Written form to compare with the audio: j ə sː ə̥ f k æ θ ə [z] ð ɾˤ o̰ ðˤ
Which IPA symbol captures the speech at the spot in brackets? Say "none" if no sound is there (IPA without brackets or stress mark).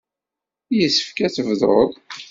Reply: v